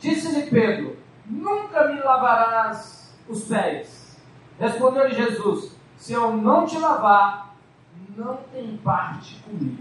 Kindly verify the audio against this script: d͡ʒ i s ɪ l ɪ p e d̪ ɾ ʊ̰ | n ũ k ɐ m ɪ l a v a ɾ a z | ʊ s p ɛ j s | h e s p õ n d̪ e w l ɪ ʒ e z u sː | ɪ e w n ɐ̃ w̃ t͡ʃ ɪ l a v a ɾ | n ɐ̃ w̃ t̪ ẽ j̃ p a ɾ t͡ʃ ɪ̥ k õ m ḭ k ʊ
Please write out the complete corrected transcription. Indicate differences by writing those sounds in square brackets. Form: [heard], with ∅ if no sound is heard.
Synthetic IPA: d͡ʒ i s ɪ l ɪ p e d̪ ɾ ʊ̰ | n ũ k ɐ m ɪ l a v a ɾ a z | ʊ s p ɛ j s | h e s p õ n d̪ e w l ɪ ʒ e z u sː | ɪ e w n ɐ̃ w̃ t͡ʃ ɪ l a v a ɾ | n ɐ̃ w̃ t̪ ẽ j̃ p a ɾ t͡ʃ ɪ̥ k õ m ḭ [ɡ] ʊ